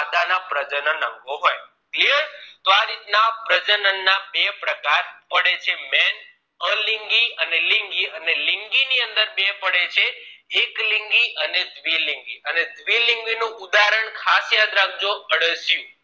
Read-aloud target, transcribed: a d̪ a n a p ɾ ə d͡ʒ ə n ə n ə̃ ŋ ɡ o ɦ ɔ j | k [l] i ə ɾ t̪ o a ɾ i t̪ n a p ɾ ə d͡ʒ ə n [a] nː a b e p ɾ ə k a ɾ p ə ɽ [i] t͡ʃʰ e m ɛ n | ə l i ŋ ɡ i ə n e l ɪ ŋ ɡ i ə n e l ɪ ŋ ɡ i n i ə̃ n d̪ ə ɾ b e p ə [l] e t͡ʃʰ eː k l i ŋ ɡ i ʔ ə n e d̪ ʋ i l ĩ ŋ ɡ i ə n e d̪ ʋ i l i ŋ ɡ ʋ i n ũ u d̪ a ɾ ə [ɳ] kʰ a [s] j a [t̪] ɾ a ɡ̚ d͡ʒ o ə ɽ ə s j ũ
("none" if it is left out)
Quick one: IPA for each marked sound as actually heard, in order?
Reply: l, ə, e, ɽ, ɳ, s, d̪

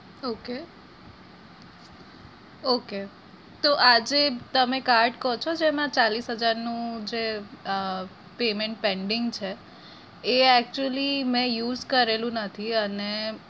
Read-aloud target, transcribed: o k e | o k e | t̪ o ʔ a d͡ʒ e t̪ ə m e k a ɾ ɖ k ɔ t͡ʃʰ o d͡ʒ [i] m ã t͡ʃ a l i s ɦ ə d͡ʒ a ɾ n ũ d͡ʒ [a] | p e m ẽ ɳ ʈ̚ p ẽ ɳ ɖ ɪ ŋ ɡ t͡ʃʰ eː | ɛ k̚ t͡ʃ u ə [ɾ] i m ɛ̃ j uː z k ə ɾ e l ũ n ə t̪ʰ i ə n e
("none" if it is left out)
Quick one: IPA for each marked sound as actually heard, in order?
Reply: e, e, l

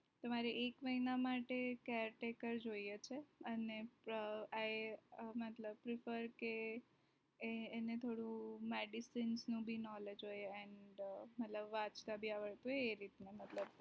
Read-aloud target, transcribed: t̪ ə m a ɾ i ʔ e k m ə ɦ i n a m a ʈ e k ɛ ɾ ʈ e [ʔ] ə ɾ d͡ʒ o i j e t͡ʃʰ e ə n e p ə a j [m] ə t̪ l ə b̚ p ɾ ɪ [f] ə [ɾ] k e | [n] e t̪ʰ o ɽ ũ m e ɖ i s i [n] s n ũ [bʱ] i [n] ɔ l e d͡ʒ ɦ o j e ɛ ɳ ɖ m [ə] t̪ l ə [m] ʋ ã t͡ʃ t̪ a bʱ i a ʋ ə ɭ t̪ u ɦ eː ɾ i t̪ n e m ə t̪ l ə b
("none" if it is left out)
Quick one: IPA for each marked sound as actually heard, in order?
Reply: k, m, f, ɾ, n, n, bʱ, n, ə, b

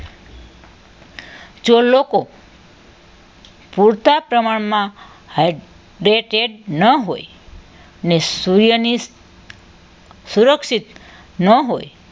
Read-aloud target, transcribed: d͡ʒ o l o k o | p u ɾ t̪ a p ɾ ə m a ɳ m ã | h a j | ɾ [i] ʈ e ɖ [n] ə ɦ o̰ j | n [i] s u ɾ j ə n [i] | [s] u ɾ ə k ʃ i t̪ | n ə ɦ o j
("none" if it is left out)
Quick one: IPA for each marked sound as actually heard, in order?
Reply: e, n, e, i, s

